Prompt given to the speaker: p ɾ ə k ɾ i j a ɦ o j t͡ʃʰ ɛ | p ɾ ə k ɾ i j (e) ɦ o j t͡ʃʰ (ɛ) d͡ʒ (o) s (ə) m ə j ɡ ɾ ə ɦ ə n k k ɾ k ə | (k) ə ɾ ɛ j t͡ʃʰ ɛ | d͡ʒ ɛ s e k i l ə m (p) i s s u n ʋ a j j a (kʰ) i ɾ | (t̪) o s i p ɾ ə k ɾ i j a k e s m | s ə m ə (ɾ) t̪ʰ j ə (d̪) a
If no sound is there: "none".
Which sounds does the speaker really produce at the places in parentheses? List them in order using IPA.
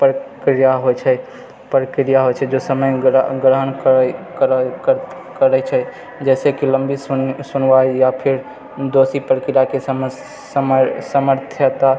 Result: a, ɛ, o, ə, k, b, pʰ, d̪, ɾ, t̪

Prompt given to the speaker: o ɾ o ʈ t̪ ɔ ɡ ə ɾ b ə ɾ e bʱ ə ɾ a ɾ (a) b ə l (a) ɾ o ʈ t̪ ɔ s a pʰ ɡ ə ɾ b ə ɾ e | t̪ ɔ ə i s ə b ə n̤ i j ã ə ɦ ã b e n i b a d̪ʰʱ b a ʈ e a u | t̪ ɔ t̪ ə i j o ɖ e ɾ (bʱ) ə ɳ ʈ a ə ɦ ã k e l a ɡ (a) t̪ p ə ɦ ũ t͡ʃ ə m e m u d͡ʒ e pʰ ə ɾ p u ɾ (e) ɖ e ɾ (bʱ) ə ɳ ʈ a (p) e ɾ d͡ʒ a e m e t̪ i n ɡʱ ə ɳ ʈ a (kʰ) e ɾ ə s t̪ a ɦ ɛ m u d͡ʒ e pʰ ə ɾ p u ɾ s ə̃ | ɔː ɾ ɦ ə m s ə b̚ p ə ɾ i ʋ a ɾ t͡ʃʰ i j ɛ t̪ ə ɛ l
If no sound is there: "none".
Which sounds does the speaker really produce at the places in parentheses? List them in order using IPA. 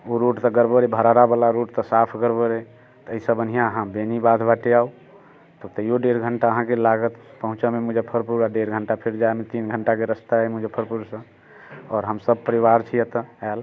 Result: a, a, ɡʱ, ə, a, ɡʱ, pʰ, k

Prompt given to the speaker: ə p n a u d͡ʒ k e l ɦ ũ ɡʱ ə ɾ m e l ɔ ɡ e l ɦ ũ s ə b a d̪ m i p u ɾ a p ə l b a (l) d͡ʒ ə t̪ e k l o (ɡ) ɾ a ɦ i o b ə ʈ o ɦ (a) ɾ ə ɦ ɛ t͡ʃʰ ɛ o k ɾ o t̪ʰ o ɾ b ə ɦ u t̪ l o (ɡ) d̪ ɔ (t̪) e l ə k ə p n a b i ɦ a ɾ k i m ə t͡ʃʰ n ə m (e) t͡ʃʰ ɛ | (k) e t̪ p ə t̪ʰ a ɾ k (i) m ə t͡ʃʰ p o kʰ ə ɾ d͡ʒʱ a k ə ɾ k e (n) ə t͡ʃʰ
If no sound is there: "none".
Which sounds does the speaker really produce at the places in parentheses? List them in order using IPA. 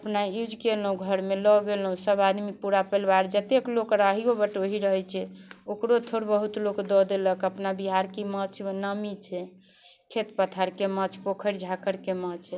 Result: ɾ, k, i, k, d̪, i, kʰ, e, m

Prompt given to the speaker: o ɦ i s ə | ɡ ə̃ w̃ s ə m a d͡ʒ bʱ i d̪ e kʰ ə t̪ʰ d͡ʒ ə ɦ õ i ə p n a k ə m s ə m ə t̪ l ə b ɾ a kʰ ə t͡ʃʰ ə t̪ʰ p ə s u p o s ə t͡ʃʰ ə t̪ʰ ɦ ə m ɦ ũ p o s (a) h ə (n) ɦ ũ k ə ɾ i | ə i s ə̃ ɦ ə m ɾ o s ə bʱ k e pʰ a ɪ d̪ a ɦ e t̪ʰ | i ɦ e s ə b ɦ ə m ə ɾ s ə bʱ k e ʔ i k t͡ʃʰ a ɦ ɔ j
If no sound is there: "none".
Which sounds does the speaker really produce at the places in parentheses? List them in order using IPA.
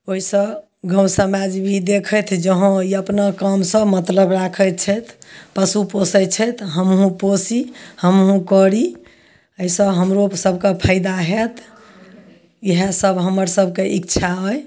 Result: i, m

